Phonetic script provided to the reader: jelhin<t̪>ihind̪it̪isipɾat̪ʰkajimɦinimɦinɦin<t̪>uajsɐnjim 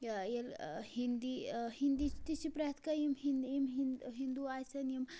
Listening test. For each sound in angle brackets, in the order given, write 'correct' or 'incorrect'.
incorrect, incorrect

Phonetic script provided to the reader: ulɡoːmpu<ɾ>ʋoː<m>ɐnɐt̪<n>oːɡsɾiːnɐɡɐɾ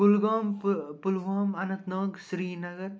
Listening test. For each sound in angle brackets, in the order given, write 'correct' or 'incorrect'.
incorrect, correct, correct

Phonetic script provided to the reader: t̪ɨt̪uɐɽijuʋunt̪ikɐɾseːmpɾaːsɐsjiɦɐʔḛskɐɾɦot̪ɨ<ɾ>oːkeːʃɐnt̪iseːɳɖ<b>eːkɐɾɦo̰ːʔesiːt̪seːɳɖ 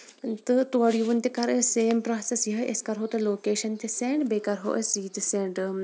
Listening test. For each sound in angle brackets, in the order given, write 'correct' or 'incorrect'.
incorrect, correct

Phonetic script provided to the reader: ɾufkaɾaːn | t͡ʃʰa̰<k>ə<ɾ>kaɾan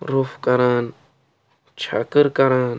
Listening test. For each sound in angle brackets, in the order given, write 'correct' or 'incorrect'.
correct, correct

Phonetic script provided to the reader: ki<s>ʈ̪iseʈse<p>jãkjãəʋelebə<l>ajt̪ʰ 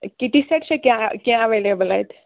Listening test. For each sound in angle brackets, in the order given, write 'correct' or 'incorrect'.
incorrect, incorrect, correct

